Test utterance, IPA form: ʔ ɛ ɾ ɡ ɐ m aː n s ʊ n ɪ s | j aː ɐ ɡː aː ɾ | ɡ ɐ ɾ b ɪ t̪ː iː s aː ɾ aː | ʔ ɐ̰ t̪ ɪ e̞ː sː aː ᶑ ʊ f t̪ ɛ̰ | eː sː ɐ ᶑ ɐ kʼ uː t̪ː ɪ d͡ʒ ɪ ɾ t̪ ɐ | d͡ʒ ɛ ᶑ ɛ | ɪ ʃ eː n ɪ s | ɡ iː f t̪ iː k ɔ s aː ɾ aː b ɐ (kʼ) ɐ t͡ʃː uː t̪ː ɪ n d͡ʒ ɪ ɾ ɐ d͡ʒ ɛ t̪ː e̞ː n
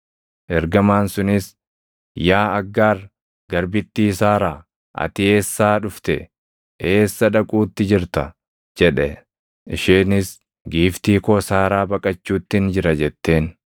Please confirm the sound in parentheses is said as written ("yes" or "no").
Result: yes